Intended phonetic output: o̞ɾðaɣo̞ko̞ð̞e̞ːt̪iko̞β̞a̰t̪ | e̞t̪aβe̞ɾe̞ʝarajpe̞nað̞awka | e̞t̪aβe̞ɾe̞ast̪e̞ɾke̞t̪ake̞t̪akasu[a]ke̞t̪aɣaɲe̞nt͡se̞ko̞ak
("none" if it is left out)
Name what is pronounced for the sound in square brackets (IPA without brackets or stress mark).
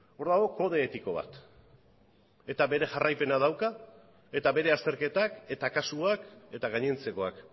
a